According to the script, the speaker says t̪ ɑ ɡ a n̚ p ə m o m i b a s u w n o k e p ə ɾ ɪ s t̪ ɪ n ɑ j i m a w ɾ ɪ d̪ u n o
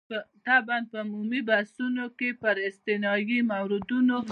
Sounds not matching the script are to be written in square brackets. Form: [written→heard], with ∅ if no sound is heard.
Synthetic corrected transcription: t̪ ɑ [ɡ→b] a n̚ p ə m [o→u] m i b a s u [w→∅] n o k e p ə ɾ ɪ s t̪ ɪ n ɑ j i m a w ɾ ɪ d̪ u n o